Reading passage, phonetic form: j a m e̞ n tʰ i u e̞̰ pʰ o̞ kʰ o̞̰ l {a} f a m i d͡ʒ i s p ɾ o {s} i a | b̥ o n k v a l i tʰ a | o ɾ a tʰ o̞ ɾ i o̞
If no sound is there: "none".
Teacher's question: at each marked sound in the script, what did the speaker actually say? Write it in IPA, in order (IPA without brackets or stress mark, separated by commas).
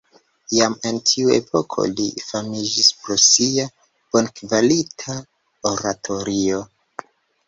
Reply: i, s